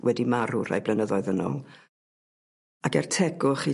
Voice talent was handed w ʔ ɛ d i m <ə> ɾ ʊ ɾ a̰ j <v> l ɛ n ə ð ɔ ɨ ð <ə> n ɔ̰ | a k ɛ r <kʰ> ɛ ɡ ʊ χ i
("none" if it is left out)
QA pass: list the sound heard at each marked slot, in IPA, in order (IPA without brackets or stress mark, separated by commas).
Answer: a, b, ə, tʰ